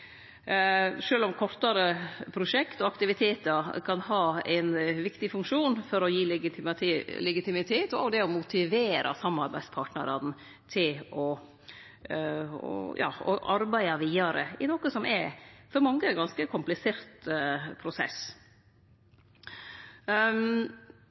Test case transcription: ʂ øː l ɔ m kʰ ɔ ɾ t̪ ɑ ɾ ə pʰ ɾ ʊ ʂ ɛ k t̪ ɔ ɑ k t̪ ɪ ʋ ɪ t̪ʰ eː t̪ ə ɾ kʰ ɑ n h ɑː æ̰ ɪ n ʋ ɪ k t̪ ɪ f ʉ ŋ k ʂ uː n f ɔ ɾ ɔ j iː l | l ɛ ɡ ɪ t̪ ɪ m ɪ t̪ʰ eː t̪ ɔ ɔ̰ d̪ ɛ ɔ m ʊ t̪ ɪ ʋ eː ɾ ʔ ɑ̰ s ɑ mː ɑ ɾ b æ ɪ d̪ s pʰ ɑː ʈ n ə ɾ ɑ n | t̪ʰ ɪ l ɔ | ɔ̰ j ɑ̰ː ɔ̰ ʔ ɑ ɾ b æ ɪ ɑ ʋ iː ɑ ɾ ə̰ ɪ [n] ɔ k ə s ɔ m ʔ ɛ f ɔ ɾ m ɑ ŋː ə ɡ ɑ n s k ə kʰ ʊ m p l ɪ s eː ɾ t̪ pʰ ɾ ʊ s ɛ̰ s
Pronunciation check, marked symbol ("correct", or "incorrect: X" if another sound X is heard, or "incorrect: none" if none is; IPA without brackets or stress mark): correct